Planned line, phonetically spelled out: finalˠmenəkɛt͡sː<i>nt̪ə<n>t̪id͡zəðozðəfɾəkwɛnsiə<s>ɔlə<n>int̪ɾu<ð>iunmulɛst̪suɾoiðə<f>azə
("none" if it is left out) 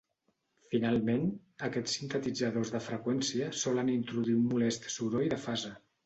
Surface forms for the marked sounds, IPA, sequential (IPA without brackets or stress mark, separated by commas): i, none, s, n, ð, f